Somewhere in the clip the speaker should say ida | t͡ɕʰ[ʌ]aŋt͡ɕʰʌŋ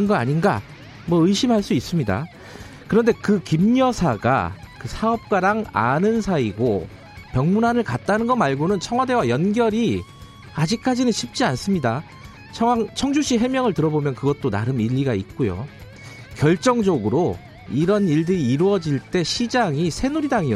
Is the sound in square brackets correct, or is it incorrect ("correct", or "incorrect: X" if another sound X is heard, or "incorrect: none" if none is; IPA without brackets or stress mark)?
correct